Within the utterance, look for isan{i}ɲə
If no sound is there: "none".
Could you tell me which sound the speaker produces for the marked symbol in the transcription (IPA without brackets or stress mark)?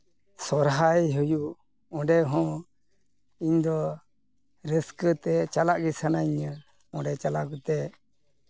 a